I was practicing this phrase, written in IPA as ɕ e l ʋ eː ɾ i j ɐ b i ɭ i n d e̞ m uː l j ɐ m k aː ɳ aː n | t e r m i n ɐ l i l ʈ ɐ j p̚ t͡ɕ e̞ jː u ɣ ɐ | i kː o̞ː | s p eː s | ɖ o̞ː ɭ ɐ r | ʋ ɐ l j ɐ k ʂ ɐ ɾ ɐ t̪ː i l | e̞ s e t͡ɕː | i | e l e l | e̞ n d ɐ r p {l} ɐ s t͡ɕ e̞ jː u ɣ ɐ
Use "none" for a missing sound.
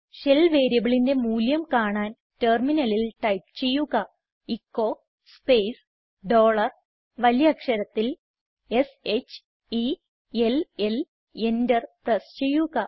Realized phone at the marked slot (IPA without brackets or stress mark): r